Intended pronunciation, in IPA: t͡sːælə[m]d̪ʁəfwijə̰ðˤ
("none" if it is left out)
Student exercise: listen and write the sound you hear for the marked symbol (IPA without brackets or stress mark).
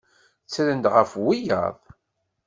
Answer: n